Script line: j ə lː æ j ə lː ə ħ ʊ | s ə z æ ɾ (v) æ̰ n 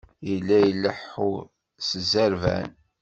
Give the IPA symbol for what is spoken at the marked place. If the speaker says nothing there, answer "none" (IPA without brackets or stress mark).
v